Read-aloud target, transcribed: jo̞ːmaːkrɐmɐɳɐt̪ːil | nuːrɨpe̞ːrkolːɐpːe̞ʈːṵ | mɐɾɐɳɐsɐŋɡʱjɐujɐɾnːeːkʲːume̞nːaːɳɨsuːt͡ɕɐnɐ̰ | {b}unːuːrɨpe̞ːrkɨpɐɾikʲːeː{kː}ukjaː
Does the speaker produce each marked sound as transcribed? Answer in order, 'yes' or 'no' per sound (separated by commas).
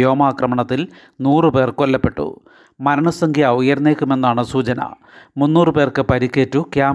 no, no